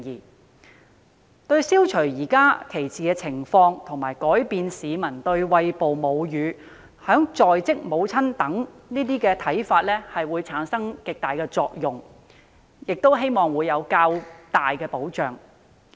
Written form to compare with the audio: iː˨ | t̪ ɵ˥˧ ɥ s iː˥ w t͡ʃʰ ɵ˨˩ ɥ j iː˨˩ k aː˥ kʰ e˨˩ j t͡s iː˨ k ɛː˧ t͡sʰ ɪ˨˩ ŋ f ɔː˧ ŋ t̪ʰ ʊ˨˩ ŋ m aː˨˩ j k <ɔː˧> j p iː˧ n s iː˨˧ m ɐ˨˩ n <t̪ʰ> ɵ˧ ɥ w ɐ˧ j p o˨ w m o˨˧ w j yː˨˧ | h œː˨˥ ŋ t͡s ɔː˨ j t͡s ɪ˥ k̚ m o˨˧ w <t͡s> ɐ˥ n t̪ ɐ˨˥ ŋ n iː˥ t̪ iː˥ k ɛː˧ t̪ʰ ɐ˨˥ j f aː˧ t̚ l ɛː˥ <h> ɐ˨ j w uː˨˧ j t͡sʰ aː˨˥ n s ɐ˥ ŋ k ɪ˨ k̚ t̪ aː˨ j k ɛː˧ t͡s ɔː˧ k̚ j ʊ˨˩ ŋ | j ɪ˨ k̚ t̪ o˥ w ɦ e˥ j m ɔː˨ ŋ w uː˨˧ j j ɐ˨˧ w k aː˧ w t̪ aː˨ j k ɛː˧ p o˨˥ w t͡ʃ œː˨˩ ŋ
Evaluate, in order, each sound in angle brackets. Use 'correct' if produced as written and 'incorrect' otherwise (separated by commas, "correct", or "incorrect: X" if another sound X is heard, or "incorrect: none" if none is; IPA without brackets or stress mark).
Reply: incorrect: ɔː˨˥, incorrect: t̪, incorrect: t͡sʰ, correct